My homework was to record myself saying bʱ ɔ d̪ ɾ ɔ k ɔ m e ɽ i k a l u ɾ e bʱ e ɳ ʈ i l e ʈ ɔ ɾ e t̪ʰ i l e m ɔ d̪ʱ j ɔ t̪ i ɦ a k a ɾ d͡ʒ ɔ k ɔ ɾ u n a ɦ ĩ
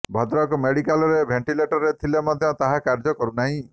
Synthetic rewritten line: bʱ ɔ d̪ ɾ ɔ k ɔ m e ɽ i k a l ɔ ɾ e bʱ e ɳ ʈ i l e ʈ ɔ ɾ e t̪ʰ i l e m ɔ d̪ʱ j ɔ t̪ a ɦ a k a ɾ d͡ʒ ɔ k ɔ ɾ u n a ɦ ĩ